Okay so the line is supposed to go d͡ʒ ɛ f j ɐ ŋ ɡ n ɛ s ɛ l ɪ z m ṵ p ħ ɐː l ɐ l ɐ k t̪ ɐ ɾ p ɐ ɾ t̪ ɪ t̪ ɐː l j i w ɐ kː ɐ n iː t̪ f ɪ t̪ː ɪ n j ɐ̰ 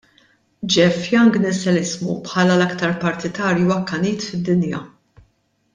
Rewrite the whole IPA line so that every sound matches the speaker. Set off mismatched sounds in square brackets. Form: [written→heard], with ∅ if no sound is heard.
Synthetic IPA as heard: d͡ʒ ɛ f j ɐ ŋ ɡ n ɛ s ɛ l ɪ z m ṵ p ħ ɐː l ɐ l ɐ k t̪ ɐ ɾ p ɐ ɾ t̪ ɪ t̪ ɐː [l→ɾ] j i w ɐ kː ɐ n iː t̪ f ɪ [t̪ː→d̪ː] ɪ n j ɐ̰

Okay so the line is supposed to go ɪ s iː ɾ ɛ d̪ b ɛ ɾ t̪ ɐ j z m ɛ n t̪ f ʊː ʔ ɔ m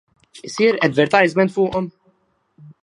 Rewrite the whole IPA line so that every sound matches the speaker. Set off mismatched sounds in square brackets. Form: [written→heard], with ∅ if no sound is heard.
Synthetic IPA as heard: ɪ s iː ɾ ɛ d̪ [b→v] ɛ ɾ t̪ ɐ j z m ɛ n t̪ f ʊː ʔ ɔ m

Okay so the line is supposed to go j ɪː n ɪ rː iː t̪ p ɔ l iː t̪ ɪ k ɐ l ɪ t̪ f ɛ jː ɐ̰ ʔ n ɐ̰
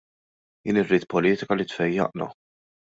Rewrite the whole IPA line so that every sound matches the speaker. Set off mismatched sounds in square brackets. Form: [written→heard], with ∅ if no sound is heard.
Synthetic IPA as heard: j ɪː n ɪ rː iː t̪ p ɔ l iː t̪ ɪ k ɐ l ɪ t̪ f ɛ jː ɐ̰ ʔ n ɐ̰

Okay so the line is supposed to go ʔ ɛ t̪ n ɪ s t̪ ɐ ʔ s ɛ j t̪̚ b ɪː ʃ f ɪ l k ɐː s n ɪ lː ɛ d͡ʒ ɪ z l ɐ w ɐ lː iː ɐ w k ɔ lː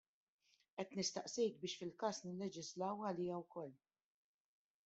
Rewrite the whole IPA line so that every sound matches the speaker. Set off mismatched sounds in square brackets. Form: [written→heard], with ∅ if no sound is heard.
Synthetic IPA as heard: ʔ ɛ t̪ n ɪ s t̪ ɐ ʔ s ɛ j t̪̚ b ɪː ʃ f ɪ l k ɐː s n ɪ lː ɛ d͡ʒ ɪ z l ɐ w ɐ [lː→l] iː ɐ w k ɔ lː

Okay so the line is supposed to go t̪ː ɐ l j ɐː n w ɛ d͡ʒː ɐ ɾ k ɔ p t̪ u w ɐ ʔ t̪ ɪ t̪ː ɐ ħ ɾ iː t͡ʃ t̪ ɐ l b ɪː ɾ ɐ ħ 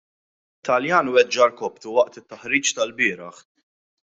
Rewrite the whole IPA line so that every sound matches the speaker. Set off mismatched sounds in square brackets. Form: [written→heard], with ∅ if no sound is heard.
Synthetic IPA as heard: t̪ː ɐ l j ɐː n w ɛ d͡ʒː ɐ ɾ k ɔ p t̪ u w ɐ ʔ t̪ ɪ t̪ː ɐ ħ ɾ iː t͡ʃ t̪ ɐ l b ɪː ɾ ɐ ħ

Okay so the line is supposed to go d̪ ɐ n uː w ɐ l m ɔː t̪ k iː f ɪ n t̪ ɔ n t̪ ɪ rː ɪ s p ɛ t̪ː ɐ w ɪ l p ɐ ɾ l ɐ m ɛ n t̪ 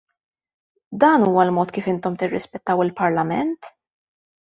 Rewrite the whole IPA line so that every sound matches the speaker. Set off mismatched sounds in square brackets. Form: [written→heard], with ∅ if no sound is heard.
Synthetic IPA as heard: d̪ [ɐ→ɐː] n uː w ɐ l m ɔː t̪ k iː f ɪ n t̪ ɔ [n→m] t̪ ɪ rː ɪ s p ɛ t̪ː ɐ w ɪ l p ɐ ɾ l ɐ m ɛ n t̪

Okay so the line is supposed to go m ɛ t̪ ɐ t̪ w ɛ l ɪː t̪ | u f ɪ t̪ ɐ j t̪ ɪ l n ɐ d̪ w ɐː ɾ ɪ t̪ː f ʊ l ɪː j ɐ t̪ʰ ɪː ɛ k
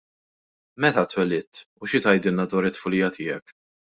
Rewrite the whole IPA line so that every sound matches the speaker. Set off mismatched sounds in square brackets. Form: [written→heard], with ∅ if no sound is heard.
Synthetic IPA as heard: m ɛ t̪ ɐ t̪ w ɛ l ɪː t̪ | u [f→ʃ] ɪ t̪ ɐ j [t̪→d̪] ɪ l n ɐ d̪ w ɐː ɾ ɪ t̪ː f ʊ l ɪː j ɐ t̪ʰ ɪː ɛ k

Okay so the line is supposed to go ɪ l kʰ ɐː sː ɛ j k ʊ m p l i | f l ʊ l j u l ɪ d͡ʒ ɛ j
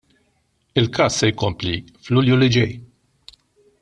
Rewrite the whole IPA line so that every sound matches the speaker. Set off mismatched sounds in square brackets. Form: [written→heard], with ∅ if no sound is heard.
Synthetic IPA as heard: ɪ l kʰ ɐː sː ɛ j k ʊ m p l i | f l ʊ l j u l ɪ d͡ʒ ɛ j

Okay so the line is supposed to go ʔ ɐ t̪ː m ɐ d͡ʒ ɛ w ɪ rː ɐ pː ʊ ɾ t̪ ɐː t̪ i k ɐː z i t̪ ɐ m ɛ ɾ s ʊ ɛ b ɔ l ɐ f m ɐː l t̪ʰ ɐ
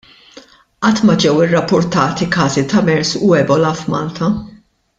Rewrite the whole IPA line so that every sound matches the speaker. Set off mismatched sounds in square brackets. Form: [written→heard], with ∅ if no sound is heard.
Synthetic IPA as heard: ʔ ɐ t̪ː m ɐ d͡ʒ ɛ w ɪ rː ɐ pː ʊ ɾ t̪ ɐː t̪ i k ɐː z i t̪ ɐ m ɛ ɾ s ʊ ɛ b ɔ l ɐ f m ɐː l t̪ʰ ɐ

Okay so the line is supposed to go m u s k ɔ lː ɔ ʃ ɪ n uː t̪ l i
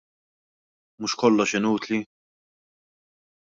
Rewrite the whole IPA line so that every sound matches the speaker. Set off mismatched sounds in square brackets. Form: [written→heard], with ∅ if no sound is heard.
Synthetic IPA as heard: m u [s→ʃ] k ɔ lː ɔ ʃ ɪ n uː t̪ l i

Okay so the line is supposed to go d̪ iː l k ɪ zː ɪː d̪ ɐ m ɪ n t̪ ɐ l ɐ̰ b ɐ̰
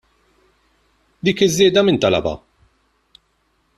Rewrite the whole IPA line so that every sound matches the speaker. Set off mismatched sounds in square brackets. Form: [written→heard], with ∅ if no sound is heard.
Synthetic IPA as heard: d̪ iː [l→∅] k ɪ zː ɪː d̪ ɐ m ɪ n t̪ ɐ l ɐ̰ b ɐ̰

